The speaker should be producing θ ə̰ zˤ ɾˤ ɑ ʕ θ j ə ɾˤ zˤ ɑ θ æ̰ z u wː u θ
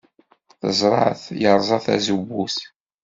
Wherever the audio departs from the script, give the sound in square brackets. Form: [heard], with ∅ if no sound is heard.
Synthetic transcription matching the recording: θ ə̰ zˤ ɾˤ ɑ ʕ θ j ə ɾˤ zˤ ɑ θ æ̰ z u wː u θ